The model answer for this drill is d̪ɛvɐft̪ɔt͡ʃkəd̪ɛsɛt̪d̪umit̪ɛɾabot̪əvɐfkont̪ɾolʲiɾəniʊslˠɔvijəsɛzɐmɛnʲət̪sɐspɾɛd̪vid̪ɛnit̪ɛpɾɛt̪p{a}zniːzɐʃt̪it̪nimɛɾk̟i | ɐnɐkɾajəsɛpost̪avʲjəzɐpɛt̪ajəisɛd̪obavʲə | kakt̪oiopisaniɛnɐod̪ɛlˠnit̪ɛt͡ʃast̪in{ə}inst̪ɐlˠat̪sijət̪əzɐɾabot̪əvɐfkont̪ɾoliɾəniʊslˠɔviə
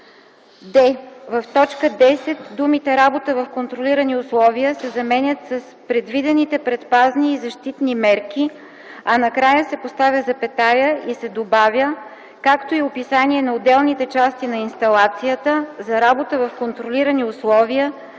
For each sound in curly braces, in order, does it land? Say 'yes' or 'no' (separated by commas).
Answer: yes, no